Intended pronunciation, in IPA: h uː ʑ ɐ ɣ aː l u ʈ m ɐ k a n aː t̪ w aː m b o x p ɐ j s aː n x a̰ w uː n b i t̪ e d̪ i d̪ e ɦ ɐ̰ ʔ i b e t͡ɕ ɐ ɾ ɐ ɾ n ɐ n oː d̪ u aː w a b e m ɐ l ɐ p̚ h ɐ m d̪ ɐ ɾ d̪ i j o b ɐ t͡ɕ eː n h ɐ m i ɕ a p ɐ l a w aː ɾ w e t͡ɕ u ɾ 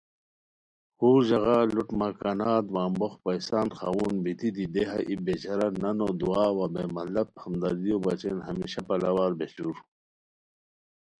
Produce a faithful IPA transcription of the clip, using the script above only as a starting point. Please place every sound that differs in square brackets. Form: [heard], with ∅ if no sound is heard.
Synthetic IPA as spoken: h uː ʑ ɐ ɣ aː l u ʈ m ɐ k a n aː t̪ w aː m b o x p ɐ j s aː n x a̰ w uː n b i t̪ [i] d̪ i d̪ e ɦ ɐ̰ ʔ i b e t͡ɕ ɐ ɾ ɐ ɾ n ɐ n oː d̪ u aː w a b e m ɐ l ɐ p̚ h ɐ m d̪ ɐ ɾ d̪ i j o b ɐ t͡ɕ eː n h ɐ m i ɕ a p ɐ l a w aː ɾ [b] e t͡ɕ u ɾ